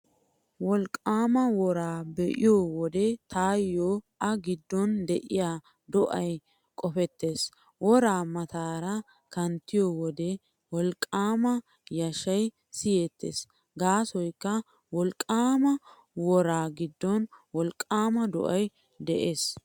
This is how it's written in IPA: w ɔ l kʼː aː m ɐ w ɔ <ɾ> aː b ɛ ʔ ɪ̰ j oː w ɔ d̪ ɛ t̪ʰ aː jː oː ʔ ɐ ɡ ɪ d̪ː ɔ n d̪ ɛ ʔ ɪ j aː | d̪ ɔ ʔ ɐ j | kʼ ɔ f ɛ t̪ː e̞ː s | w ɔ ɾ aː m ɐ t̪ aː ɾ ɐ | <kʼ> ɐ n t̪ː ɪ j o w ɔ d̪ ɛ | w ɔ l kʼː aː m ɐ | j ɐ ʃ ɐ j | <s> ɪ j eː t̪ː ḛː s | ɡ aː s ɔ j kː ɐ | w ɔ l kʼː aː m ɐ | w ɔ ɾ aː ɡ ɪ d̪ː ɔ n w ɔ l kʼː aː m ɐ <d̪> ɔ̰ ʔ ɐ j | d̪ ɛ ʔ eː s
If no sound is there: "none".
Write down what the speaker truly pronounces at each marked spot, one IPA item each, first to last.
ɾ, k, s, d̪

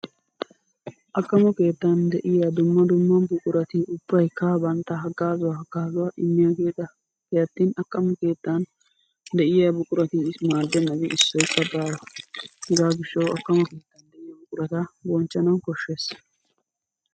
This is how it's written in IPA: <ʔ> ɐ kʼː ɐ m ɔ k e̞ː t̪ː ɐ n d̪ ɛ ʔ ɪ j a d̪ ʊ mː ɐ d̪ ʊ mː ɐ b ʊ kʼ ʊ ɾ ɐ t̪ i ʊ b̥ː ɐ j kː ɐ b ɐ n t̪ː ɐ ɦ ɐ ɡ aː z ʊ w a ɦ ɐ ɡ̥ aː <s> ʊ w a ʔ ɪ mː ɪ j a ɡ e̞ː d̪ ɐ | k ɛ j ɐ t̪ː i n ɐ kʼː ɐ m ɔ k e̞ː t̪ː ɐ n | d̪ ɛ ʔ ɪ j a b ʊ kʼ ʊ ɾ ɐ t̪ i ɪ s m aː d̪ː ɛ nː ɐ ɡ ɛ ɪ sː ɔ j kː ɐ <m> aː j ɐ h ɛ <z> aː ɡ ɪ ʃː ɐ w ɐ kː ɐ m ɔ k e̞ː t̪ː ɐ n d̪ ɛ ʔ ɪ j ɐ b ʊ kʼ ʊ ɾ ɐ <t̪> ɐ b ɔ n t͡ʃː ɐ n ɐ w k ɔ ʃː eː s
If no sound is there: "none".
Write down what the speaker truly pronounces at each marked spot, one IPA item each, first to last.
ʔ, z, b, z, t̪

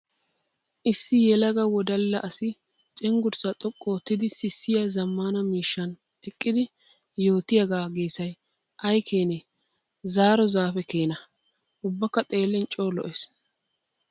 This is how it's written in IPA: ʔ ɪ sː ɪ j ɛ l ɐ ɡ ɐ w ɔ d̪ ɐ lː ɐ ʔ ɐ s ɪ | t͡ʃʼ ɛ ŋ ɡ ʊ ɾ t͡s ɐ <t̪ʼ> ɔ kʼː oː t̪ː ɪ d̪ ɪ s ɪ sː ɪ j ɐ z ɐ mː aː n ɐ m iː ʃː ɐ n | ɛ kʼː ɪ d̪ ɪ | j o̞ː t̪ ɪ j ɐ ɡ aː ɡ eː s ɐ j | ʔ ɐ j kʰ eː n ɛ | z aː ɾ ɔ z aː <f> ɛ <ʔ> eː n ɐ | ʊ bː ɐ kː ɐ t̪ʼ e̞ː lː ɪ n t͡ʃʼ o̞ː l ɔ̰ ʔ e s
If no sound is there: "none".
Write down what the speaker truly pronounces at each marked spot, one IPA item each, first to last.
t̪ʼ, f, k

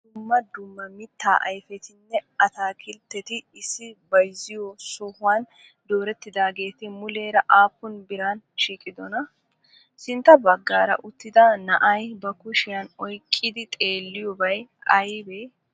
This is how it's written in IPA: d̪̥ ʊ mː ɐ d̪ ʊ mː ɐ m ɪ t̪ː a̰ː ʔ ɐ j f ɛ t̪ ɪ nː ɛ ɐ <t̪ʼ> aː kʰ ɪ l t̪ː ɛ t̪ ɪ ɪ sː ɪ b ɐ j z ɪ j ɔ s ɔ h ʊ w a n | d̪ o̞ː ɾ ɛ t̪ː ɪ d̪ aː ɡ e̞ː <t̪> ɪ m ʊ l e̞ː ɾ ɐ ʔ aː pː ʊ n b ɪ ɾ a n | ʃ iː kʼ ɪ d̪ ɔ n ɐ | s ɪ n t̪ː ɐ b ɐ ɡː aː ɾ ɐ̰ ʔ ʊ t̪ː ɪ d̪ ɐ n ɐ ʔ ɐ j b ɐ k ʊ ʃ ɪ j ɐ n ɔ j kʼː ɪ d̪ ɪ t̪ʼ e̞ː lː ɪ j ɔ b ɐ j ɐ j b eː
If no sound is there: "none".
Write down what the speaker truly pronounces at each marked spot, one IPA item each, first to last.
t̪, t̪

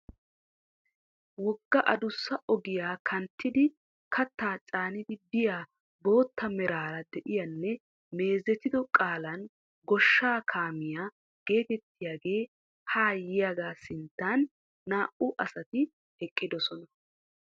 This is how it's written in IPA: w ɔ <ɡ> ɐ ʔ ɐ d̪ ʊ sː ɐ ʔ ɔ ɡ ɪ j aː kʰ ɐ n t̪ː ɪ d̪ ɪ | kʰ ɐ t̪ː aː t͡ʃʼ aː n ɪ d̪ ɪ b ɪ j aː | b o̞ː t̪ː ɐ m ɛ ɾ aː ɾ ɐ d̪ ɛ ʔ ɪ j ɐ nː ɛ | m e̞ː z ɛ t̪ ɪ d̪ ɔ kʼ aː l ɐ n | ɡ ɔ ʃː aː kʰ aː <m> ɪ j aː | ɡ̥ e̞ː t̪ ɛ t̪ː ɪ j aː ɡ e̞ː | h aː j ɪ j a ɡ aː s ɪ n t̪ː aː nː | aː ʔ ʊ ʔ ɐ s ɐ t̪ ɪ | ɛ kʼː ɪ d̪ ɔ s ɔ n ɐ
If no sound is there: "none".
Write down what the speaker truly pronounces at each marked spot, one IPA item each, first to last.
ɡː, m

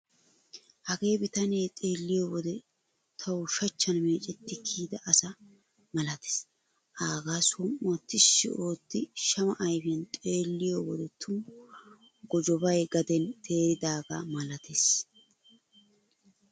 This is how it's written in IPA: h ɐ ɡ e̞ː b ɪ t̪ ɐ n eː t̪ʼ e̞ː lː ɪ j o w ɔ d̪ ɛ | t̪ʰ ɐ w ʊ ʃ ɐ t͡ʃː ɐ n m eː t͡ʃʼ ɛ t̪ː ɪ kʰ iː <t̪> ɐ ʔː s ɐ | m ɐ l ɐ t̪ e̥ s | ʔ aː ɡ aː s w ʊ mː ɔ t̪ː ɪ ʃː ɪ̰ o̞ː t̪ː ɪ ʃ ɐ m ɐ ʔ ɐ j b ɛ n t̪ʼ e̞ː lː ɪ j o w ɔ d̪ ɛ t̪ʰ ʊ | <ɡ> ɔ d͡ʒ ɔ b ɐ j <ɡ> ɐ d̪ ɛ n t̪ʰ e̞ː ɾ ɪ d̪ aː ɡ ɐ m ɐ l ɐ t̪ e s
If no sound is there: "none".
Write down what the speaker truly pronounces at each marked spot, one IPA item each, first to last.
d̪, ɡ, ɡ

